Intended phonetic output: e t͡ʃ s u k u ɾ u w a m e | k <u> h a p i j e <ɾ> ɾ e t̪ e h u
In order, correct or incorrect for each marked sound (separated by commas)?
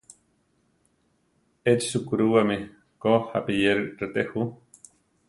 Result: incorrect, correct